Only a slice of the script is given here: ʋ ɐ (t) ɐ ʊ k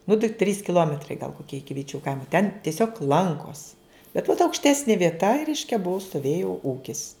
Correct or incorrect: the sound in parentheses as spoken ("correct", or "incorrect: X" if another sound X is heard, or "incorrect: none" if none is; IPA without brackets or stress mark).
correct